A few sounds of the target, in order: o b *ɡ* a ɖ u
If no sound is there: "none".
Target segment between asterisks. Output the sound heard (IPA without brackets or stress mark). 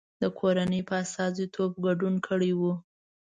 ɡ